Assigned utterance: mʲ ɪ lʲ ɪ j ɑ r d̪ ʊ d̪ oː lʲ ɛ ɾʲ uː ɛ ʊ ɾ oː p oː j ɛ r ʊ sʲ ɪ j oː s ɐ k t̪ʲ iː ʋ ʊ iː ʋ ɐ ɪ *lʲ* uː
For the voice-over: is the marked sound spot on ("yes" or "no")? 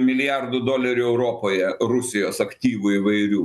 no